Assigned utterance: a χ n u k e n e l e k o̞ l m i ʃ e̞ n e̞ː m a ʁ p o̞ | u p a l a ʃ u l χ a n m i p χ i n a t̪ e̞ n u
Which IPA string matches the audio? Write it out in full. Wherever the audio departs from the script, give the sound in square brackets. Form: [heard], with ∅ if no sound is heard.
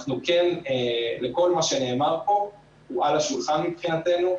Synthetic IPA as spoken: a χ n u k e n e l e k o̞ l m [a] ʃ e̞ n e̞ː m a ʁ p o̞ | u [∅] a l a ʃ u l χ a n m i p χ i n a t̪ e̞ n u